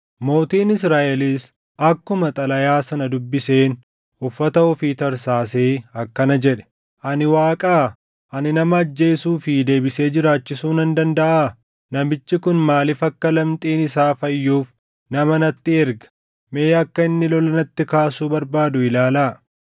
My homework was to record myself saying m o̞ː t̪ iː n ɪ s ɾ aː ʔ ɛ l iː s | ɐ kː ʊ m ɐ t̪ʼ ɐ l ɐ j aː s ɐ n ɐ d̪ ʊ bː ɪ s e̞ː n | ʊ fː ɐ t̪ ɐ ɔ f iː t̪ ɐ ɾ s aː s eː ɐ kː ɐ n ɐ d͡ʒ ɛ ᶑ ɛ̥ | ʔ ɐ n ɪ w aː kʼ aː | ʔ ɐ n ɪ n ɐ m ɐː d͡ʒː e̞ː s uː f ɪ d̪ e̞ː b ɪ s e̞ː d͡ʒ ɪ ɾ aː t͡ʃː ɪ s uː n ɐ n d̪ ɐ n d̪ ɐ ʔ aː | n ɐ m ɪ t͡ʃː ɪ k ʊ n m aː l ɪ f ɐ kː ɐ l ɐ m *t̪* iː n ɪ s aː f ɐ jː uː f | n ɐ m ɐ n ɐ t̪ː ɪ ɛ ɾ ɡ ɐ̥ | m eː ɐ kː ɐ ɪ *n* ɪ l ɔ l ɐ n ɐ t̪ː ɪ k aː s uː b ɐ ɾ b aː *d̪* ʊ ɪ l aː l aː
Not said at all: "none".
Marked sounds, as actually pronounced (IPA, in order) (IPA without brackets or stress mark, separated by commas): t̪ʼ, nː, d̪